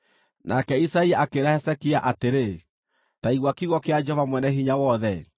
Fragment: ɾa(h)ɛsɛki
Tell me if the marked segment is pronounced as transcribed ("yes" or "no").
yes